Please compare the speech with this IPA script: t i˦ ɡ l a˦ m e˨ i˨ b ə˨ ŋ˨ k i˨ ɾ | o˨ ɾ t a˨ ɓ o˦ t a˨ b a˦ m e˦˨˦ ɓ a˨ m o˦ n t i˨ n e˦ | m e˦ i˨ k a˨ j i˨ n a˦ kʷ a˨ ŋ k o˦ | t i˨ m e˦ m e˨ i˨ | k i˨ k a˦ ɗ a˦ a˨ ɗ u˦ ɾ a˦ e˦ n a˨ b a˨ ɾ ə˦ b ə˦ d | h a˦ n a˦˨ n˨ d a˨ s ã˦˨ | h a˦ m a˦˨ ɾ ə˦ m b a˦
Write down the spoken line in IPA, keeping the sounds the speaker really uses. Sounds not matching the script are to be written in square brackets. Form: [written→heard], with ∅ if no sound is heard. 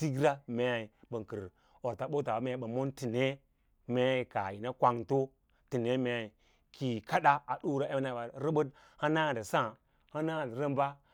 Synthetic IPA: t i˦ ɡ [l→ɾ] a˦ m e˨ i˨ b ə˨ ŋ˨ k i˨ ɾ | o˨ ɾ t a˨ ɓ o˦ t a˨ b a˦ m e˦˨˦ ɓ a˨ m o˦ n t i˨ n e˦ | m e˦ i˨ k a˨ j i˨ n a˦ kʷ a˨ ŋ [k→t] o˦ | t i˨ [m→n] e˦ m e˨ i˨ | k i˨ k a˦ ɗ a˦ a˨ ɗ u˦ ɾ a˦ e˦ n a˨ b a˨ ɾ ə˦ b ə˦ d | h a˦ n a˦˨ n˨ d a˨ s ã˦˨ | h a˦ [m→n] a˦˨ ɾ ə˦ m b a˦